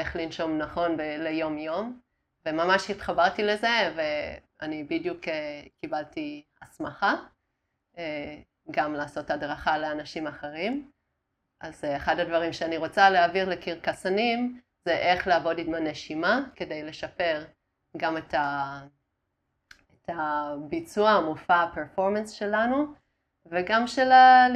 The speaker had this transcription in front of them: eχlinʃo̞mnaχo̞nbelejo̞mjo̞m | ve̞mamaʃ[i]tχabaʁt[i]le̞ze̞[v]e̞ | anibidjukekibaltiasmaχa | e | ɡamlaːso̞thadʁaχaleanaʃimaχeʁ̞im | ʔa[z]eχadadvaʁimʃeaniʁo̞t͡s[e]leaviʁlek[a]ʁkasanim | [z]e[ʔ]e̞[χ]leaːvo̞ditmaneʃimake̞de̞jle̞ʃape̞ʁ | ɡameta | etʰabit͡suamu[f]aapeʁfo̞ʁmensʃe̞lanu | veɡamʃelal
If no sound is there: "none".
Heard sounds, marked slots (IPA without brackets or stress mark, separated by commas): i, i, v, z, a, i, z, ʔ, χ, f